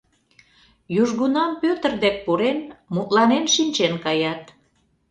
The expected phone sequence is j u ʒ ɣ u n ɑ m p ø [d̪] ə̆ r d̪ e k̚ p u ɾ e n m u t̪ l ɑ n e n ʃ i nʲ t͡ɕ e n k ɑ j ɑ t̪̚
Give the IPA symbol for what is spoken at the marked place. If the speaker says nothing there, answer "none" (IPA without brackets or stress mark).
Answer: t̪